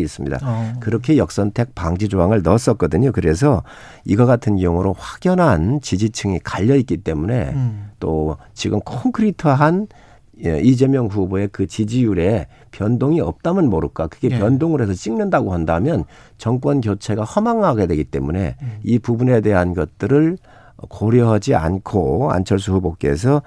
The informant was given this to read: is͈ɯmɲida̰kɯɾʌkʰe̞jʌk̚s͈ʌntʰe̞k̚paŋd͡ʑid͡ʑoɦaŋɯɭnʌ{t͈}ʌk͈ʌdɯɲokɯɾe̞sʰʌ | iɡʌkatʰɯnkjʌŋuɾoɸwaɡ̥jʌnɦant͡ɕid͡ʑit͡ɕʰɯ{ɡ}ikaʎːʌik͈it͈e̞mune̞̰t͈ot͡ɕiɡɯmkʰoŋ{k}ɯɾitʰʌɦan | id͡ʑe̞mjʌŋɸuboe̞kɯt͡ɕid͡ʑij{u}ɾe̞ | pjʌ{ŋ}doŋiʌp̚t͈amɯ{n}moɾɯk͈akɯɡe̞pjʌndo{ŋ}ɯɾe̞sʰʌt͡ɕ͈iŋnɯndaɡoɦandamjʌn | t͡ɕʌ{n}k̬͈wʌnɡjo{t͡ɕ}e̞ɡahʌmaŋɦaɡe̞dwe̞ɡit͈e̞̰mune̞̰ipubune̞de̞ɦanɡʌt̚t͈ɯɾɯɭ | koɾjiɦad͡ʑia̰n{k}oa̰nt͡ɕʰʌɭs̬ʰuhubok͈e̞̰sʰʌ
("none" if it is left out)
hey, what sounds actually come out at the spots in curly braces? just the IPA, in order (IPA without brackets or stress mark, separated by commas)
s͈, ŋ, kʰ, u, n, n, ŋ, ŋ, t͡ɕʰ, kʰ